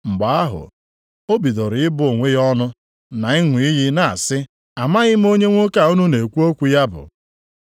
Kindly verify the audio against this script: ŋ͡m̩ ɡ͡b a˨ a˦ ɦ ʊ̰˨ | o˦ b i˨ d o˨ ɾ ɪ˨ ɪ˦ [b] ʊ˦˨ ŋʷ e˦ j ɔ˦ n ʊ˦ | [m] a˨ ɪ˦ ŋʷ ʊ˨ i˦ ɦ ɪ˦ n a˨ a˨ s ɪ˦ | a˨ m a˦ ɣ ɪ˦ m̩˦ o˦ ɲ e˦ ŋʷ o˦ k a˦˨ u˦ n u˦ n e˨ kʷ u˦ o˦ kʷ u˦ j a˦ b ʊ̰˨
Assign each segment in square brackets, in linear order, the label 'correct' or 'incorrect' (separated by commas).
correct, incorrect